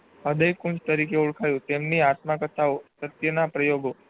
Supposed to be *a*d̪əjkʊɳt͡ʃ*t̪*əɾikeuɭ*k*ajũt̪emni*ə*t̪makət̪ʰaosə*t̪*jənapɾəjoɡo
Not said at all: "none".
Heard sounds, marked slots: ə, t̪, kʰ, a, t̪

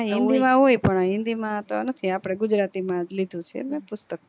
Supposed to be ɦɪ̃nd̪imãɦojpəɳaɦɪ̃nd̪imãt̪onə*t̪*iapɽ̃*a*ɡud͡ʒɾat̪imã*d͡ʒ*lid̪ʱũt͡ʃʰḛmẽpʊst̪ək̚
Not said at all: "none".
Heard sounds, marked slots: t̪ʰ, e, d͡ʒ

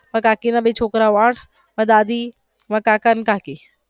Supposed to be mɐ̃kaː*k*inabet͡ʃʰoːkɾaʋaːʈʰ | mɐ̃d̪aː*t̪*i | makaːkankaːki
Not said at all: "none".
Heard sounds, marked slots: k, d̪

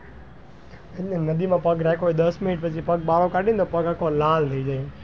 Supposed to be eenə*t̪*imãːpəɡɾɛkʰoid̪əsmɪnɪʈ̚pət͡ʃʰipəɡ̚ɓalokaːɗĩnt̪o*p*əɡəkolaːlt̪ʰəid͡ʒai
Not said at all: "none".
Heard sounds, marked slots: d̪, p

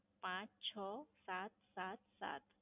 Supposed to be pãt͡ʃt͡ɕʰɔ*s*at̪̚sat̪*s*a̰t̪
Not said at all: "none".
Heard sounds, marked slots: s, s

